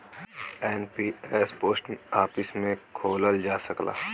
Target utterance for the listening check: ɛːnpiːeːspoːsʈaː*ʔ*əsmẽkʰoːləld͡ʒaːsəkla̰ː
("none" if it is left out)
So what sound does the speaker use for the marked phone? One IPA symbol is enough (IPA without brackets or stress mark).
p